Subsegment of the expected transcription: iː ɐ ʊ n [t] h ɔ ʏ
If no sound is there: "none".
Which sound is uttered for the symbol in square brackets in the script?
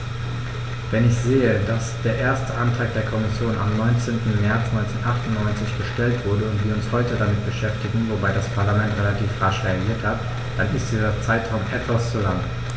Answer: s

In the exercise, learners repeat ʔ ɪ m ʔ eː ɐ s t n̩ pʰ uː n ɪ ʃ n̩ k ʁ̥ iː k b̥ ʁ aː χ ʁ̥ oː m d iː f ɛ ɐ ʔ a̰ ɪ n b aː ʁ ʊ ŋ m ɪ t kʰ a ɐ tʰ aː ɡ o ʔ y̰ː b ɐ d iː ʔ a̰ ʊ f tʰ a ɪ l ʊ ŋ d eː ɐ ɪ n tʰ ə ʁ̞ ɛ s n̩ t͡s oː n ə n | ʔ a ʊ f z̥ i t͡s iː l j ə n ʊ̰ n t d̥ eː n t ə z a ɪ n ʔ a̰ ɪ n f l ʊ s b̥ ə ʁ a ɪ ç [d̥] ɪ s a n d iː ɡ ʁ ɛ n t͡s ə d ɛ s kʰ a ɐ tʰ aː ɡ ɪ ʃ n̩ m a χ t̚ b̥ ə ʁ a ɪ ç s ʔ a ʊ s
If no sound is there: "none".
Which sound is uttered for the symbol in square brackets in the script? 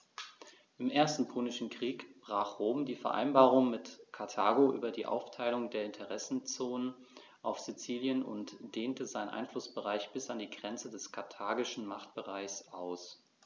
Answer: b̥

